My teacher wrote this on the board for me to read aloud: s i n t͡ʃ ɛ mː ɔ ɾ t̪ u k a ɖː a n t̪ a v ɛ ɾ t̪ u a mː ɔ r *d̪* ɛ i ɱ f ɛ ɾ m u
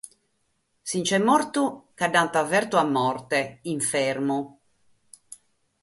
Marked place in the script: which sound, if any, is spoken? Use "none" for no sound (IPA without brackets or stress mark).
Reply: t̪